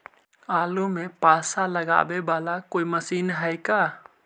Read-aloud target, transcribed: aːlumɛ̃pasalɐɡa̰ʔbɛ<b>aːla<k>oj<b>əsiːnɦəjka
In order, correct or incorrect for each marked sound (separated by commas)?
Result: correct, correct, incorrect